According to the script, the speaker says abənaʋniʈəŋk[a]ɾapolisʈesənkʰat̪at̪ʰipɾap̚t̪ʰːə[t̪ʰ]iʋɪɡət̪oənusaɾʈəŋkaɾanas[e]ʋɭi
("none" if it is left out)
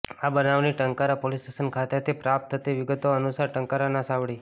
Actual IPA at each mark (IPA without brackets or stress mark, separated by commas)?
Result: a, t̪, a